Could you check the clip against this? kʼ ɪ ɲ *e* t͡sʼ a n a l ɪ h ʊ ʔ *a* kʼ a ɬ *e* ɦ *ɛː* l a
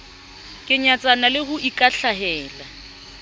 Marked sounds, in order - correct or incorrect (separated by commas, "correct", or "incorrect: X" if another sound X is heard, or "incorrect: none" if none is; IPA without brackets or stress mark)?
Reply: incorrect: a, incorrect: i, incorrect: a, correct